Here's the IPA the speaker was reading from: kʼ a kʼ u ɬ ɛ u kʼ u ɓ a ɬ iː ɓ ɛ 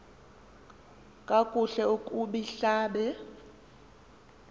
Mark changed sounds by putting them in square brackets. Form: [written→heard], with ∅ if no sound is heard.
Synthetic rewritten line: kʼ a kʼ u ɬ ɛ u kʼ u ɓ [a→i] ɬ [iː→aː] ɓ ɛ